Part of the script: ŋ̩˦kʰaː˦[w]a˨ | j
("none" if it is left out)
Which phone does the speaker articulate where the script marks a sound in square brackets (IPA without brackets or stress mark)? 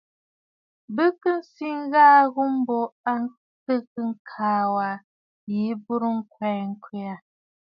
w